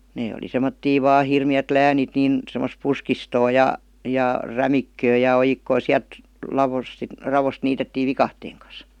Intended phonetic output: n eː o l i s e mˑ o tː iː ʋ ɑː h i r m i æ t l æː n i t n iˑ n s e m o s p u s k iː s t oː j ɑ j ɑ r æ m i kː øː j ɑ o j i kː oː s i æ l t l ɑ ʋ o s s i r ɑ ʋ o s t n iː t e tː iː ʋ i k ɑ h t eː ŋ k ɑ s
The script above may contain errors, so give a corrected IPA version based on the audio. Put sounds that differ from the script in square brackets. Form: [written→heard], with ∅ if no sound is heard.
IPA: n eː o l i s e mˑ o tː iː ʋ ɑː h i r m i æ t l æː n i t n iˑ n s e m o s p u s k [iː→i] s t oː j ɑ j ɑ r æ m i kː øː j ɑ o j i kː oː s i æ l t l ɑ ʋ o s s i r ɑ ʋ o s t n iː t e tː iː ʋ i k ɑ h t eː ŋ k ɑ s